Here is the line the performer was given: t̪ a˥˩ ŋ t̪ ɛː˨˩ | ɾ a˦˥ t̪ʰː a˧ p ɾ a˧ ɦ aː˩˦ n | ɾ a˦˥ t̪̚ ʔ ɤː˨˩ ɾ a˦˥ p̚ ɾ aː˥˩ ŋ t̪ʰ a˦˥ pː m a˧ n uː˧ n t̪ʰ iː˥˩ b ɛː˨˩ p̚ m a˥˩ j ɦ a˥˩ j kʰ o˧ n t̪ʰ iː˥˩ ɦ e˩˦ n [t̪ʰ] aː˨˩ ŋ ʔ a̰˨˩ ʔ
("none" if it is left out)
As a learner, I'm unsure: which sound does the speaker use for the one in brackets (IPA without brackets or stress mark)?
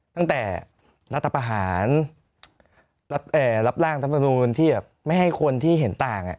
t̪